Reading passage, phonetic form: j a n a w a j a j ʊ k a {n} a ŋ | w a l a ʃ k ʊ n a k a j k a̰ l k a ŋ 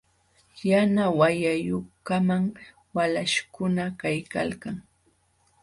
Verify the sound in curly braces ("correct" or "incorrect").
incorrect